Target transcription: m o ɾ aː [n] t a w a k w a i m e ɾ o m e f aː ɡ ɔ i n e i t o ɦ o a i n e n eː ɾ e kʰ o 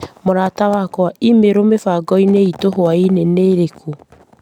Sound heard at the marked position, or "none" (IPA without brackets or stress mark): none